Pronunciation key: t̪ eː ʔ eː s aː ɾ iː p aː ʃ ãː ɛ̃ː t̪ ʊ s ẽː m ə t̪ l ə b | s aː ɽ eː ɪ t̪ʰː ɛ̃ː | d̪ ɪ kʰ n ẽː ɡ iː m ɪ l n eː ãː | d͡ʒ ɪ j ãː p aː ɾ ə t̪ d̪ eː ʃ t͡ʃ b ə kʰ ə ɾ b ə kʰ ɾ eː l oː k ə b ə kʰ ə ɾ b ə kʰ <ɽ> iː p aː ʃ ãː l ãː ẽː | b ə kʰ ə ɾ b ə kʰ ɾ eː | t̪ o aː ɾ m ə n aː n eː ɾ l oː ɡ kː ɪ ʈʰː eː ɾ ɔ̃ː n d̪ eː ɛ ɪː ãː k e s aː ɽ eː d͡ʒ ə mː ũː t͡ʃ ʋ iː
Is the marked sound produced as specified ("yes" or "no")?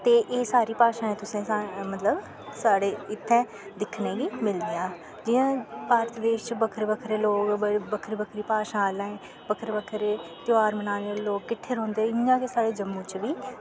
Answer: no